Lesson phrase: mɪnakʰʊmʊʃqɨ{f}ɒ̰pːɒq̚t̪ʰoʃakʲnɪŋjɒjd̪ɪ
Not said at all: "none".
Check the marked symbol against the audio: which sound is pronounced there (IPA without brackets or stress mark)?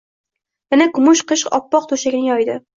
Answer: ʃ